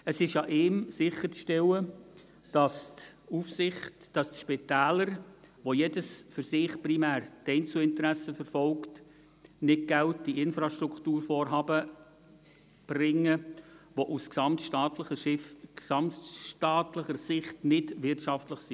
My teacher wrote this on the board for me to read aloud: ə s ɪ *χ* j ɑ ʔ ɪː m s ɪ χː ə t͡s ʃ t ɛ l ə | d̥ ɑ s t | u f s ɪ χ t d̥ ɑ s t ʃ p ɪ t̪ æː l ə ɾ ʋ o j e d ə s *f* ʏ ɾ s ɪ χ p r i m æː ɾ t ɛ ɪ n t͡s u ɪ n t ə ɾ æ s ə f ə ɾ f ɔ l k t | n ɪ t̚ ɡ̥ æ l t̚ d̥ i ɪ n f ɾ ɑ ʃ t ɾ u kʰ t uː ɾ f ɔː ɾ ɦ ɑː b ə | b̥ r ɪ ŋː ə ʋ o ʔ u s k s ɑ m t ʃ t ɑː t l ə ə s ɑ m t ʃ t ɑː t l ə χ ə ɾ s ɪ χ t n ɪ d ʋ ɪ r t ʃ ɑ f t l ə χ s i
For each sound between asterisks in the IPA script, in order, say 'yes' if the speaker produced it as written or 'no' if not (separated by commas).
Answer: no, yes